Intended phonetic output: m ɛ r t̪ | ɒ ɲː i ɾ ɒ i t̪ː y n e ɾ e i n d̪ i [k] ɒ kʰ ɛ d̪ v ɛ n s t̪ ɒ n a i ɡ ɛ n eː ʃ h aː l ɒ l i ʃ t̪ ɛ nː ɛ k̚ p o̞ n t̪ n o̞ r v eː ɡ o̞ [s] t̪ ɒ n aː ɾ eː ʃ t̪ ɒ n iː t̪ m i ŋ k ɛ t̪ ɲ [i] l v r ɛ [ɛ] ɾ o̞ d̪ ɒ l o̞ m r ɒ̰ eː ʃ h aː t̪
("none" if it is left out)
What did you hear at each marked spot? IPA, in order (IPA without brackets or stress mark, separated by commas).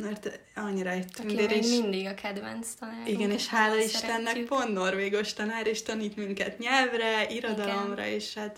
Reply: ɡ, ʃ, ɛ, i